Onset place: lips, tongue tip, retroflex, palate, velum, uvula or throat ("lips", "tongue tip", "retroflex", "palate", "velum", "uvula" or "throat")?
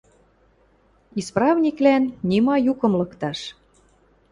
tongue tip